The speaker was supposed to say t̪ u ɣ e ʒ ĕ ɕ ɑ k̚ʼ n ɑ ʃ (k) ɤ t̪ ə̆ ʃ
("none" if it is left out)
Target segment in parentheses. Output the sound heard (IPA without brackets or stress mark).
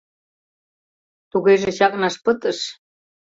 p